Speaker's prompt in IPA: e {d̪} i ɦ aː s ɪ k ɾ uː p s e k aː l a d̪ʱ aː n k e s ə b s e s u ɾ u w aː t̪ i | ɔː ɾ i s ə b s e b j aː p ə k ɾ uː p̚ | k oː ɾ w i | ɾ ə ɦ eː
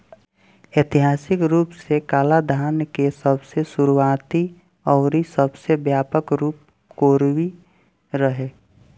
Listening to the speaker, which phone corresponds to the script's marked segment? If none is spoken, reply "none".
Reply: t̪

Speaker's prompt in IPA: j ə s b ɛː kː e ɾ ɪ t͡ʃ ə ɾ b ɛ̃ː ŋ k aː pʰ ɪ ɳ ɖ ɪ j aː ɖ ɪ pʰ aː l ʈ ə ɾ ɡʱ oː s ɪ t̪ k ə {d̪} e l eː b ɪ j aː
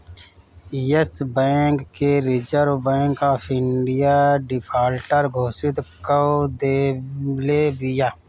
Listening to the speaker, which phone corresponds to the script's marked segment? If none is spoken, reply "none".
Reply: d̪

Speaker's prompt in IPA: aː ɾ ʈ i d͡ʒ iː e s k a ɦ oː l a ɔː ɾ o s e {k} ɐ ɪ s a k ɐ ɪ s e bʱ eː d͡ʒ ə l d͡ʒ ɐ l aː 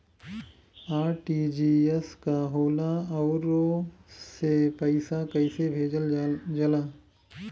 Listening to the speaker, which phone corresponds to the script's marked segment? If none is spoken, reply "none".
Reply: p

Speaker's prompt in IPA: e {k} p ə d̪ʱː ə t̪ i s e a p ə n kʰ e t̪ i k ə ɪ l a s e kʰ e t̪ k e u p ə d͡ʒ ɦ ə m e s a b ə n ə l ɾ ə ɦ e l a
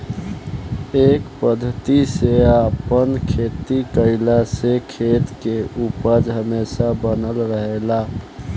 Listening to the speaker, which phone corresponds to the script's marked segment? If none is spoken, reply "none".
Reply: k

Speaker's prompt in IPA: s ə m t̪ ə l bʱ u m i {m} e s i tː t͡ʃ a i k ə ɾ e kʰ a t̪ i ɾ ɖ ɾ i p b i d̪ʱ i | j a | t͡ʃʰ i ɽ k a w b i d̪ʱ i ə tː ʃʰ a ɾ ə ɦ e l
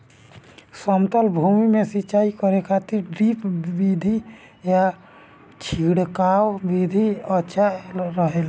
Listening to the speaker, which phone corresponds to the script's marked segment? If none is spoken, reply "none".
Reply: m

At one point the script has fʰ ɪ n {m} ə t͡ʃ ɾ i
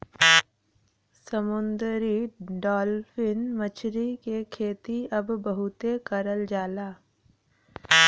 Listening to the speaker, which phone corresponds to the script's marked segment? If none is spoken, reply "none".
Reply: m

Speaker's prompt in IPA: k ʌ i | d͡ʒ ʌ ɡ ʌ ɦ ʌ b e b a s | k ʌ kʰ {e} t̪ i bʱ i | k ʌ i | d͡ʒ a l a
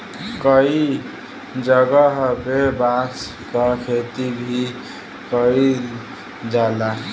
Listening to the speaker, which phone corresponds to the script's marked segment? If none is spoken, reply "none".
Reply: e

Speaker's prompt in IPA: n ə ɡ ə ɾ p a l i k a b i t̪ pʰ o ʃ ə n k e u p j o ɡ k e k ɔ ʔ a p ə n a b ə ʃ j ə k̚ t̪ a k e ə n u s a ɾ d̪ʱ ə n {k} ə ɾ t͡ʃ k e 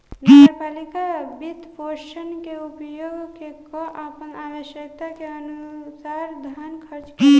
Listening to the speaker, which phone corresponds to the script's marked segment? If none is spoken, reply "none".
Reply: kʰ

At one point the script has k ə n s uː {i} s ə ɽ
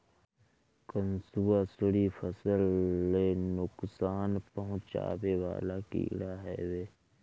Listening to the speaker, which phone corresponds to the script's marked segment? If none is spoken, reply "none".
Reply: a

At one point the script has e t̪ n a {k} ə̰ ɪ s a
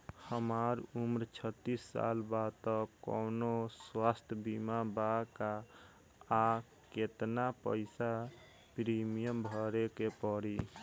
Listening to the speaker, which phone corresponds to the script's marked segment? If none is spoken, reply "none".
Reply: p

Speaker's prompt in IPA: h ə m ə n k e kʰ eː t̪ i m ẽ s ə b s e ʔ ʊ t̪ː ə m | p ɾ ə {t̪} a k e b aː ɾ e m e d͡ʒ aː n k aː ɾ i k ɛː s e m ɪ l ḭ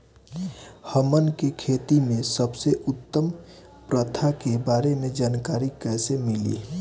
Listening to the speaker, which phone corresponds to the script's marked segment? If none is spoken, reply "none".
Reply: t̪ʰ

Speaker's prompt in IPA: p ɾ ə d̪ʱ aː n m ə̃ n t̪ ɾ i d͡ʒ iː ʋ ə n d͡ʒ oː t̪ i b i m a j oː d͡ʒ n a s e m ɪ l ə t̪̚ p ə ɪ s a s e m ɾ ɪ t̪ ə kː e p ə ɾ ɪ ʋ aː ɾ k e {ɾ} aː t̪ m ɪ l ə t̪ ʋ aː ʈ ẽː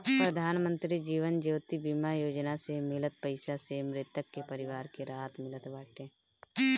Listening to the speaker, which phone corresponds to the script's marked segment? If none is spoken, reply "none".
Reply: ɾ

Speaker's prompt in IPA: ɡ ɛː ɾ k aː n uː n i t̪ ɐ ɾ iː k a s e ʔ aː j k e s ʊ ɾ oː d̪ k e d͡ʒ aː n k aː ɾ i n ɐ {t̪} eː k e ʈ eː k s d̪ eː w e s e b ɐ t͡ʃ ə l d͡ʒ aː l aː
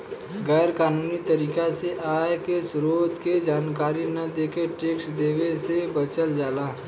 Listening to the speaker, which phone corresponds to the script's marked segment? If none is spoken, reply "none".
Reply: d̪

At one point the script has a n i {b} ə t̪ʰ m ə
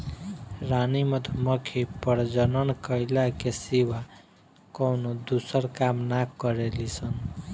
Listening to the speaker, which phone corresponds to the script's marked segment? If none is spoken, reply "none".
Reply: m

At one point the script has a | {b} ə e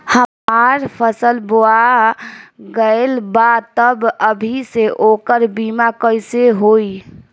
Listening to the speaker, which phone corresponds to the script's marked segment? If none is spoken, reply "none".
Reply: ɡ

